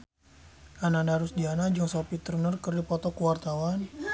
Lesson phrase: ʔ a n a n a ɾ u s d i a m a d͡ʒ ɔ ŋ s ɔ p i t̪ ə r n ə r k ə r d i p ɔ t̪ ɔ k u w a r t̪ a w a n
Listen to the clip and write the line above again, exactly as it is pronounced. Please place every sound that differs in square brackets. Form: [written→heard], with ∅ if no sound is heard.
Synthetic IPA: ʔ a n a n a ɾ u s d i a [m→n] a d͡ʒ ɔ ŋ s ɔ p i t̪ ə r n ə r k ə r d i p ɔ t̪ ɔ k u w a r t̪ a w a n